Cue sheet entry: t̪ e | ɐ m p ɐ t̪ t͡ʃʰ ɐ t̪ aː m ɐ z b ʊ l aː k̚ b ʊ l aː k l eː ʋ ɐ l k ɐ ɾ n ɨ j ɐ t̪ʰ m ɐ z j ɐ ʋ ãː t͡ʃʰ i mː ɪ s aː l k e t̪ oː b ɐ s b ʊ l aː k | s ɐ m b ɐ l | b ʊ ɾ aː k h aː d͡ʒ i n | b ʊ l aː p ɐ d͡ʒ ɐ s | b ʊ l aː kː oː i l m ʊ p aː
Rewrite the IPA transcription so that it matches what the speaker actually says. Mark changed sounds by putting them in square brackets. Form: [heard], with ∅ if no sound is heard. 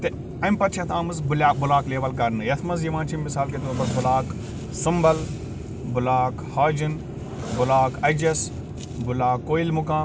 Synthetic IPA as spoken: t̪ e | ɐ m p ɐ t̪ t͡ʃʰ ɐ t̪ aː m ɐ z b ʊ l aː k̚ b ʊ l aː k l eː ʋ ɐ l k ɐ ɾ n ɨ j ɐ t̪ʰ m ɐ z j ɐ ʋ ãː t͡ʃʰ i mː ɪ s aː l k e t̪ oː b ɐ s b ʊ l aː k | s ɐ m b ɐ l | b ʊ [l] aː k h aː d͡ʒ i n | b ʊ l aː [k] ɐ d͡ʒ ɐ s | b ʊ l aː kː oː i l m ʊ [k] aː